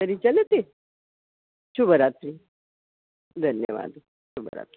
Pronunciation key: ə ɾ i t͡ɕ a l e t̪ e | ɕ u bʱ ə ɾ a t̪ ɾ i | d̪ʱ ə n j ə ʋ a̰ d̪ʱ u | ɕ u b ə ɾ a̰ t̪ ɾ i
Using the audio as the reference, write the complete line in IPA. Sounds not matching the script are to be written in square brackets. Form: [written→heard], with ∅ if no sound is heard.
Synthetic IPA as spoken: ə ɾ i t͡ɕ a l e t̪ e | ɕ u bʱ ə ɾ a t̪ ɾ i | d̪ʱ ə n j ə ʋ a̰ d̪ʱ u | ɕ u b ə ɾ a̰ t̪ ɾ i